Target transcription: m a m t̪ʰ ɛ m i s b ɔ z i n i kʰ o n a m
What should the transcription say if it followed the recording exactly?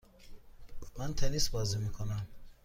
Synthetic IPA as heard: m a n t̪ʰ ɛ n i s b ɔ z i m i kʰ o n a m